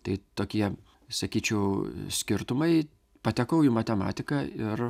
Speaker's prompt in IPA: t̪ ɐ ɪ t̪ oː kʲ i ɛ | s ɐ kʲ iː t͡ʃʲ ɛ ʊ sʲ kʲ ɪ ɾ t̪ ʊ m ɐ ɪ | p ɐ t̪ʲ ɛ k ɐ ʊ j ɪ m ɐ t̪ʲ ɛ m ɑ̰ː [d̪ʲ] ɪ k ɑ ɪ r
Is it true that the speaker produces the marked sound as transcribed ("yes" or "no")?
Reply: no